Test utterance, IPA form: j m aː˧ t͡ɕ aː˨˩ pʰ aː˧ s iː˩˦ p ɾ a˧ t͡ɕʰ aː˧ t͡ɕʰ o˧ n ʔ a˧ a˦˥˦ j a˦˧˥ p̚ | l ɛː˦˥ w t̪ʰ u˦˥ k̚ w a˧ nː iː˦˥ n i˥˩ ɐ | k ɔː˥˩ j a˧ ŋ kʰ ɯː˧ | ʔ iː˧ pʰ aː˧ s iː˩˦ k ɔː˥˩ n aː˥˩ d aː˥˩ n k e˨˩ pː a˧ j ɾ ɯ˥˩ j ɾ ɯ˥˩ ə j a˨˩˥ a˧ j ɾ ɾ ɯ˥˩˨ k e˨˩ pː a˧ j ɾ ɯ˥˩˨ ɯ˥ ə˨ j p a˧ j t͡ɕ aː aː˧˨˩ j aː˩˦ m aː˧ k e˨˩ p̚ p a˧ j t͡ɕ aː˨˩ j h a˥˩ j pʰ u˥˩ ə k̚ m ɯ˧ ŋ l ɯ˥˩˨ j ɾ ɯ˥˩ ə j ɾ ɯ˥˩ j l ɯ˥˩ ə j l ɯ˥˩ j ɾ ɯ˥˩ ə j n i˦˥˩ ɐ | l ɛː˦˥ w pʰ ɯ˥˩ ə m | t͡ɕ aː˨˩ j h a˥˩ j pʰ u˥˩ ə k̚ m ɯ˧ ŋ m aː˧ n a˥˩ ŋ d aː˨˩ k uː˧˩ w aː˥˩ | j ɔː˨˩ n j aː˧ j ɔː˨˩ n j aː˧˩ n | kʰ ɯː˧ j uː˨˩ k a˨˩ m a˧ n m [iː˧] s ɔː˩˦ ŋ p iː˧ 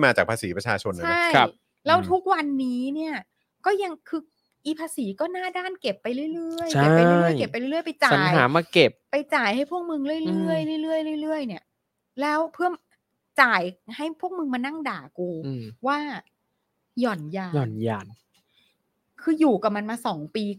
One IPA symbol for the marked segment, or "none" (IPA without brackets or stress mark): aː˧